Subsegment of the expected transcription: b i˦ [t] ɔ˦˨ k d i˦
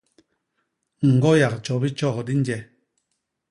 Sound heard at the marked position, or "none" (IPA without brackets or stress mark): t͡ʃ